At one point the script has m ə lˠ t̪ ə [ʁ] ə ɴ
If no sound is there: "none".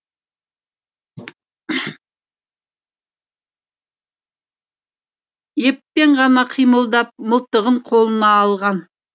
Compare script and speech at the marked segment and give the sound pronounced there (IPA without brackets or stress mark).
ʁ